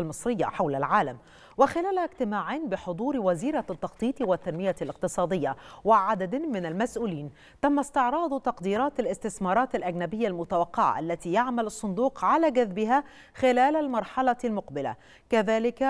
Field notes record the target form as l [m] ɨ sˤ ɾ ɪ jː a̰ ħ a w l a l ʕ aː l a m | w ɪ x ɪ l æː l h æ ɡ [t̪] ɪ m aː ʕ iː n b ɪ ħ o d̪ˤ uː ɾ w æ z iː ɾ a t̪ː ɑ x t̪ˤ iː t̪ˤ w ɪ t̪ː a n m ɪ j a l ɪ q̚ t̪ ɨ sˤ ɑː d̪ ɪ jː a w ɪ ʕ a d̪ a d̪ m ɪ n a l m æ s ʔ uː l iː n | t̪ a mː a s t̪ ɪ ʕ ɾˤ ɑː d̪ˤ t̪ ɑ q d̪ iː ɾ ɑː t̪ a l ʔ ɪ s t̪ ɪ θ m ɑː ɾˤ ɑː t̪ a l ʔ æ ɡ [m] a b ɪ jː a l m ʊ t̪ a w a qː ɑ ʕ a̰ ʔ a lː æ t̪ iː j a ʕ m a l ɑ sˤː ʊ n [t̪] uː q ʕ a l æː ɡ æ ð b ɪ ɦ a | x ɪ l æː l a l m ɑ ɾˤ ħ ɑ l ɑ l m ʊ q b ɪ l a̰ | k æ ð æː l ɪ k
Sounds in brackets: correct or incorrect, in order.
correct, correct, incorrect: n, incorrect: d̪

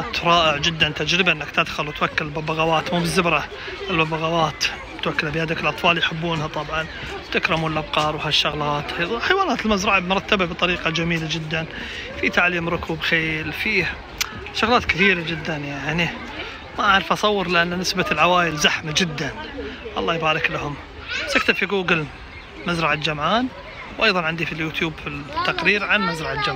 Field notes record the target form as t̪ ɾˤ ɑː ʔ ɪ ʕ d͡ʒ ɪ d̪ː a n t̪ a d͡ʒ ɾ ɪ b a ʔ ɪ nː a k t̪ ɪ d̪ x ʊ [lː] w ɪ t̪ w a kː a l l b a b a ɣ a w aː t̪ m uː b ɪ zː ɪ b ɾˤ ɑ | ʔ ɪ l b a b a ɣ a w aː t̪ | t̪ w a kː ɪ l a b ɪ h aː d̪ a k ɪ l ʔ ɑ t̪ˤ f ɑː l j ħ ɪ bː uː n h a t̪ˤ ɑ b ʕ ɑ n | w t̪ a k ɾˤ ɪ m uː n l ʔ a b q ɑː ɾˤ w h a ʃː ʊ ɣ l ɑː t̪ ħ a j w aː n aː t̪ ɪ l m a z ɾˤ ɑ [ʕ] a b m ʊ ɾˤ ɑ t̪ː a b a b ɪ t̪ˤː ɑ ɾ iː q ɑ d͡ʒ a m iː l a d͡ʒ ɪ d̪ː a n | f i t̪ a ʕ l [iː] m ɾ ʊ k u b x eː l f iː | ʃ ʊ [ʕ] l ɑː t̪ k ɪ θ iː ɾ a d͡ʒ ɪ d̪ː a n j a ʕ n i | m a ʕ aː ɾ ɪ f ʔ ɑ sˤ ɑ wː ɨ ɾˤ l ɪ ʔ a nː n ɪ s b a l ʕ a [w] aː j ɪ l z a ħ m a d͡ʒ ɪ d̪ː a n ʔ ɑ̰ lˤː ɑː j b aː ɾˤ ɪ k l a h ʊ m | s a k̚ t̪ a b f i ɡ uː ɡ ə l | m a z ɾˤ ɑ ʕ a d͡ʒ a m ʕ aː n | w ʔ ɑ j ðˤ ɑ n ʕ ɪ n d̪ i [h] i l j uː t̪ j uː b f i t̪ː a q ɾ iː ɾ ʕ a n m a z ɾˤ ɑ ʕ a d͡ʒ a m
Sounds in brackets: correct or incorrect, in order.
incorrect: l, correct, correct, incorrect: ɣ, correct, incorrect: f

